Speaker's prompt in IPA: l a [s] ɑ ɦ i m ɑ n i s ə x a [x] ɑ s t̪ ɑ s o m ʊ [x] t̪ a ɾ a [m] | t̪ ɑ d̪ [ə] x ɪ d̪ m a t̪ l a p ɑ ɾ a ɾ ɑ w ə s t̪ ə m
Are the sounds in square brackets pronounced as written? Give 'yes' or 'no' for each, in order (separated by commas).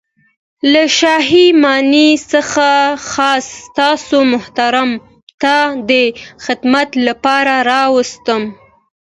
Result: no, yes, no, yes, yes